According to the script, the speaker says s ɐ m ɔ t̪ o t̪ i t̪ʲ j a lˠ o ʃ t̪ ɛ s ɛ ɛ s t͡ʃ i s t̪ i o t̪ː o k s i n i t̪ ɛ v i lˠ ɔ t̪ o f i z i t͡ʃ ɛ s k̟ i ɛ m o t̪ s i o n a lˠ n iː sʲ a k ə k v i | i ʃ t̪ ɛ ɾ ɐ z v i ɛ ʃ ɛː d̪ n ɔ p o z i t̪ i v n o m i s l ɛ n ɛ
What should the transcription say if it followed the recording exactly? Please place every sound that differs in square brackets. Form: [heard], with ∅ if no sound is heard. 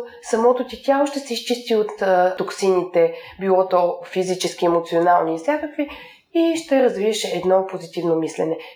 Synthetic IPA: s ɐ m ɔ t̪ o t̪ i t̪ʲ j a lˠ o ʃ t̪ ɛ s ɛ [i] s t͡ʃ i s t̪ i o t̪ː o k s i n i t̪ ɛ [b] i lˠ ɔ t̪ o f i z i t͡ʃ ɛ s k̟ i ɛ m o t̪ s i o n a lˠ n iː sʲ a k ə k v i | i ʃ t̪ ɛ ɾ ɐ z v i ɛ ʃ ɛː d̪ n ɔ p o z i t̪ i v n o m i s l ɛ n ɛ